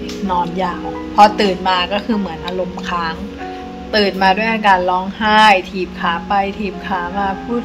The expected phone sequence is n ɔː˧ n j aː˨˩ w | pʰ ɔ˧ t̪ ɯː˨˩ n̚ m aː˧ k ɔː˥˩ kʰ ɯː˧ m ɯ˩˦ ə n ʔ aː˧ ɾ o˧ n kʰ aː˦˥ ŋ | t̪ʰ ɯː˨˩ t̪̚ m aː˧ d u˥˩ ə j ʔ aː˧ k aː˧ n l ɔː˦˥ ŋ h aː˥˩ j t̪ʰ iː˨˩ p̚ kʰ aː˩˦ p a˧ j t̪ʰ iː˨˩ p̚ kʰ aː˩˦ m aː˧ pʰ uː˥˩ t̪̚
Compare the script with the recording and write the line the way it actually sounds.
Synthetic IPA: n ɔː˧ n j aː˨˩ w | pʰ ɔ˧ t̪ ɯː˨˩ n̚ m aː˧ k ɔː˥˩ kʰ ɯː˧ m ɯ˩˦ ə n ʔ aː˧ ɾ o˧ m kʰ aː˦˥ ŋ | t̪ ɯː˨˩ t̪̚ m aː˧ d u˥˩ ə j ʔ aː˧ k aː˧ n l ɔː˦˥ ŋ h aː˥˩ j t̪ʰ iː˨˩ p̚ kʰ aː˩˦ p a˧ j t̪ʰ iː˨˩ p̚ kʰ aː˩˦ m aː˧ pʰ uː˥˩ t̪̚

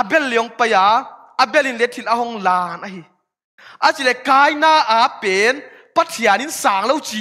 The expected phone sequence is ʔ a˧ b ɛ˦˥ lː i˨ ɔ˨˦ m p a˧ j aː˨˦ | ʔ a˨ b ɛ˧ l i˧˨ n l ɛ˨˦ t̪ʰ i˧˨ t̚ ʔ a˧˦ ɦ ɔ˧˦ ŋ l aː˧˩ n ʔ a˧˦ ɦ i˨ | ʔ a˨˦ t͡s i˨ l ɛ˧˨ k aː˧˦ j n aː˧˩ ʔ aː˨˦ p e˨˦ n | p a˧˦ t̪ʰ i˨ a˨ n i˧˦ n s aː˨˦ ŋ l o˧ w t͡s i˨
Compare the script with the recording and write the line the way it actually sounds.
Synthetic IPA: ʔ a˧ b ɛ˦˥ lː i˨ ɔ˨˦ ŋ p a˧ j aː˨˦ | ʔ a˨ b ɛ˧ l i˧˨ n l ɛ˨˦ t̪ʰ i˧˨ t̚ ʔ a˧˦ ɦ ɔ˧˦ ŋ l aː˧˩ n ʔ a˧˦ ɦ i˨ | ʔ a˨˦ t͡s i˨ l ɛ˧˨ k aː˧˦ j n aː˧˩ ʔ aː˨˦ p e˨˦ n | p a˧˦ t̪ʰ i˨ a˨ n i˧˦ n s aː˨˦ ŋ l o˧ w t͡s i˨

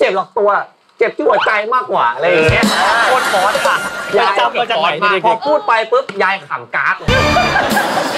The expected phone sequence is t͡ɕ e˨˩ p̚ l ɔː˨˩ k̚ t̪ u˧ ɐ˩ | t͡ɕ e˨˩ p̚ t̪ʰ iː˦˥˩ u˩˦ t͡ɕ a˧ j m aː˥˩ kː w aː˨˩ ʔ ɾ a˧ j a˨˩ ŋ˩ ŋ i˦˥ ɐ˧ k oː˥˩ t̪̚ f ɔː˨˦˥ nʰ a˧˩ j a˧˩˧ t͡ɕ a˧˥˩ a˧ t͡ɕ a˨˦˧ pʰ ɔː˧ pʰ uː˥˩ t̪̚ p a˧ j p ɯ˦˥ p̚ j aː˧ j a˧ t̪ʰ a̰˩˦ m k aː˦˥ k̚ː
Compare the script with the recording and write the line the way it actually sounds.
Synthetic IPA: t͡ɕ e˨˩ p̚ l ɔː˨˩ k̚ t̪ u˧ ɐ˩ | t͡ɕ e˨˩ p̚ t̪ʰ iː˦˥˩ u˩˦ t͡ɕ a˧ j m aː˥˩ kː w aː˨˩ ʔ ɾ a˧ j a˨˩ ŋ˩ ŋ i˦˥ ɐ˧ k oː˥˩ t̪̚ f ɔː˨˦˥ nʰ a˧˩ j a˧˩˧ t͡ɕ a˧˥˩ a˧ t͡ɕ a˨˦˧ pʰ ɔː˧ pʰ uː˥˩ t̪̚ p a˧ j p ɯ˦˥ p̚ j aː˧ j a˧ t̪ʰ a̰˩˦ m k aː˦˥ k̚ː

